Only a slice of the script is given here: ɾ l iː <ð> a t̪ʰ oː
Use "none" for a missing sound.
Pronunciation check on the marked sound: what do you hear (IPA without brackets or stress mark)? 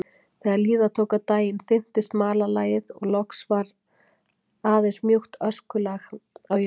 ð